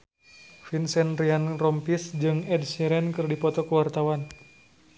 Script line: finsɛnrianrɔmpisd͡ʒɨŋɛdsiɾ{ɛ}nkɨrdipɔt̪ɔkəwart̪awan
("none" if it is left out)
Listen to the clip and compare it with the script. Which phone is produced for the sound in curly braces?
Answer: ɛ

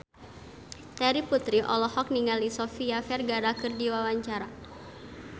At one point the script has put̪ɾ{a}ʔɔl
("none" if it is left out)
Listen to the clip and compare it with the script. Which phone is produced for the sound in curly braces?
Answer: i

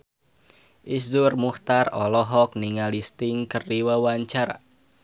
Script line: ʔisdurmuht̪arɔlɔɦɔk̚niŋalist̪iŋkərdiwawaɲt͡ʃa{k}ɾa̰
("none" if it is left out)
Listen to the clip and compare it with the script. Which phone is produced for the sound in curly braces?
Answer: none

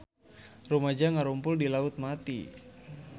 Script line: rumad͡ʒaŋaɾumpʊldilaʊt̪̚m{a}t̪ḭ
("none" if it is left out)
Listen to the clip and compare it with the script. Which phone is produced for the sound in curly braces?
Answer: a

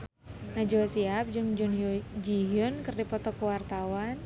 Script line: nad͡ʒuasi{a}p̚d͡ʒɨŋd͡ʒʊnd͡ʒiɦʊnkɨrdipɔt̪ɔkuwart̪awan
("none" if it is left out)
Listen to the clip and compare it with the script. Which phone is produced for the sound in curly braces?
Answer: a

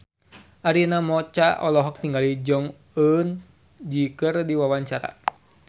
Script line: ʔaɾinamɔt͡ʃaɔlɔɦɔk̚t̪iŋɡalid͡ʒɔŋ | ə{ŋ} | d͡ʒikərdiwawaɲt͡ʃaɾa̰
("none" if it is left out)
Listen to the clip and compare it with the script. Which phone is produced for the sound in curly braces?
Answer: n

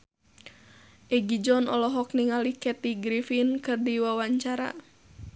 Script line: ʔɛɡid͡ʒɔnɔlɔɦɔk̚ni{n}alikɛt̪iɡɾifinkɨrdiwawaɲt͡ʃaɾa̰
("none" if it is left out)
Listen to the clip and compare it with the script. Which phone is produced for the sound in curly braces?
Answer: ŋ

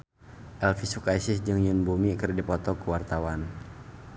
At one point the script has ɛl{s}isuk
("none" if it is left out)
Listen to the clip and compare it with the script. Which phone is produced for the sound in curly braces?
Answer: f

